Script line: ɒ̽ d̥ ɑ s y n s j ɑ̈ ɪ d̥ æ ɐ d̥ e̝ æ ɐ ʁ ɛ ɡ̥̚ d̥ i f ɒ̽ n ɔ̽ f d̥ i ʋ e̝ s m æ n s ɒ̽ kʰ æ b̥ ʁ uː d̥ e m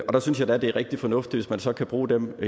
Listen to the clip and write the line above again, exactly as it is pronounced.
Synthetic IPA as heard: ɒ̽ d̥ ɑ s y n s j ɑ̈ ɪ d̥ æ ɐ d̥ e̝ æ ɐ ʁ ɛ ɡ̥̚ d̥ i f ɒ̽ n ɔ̽ f d̥ i ʋ e̝ s m æ n s ɒ̽ kʰ æ b̥ ʁ uː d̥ e m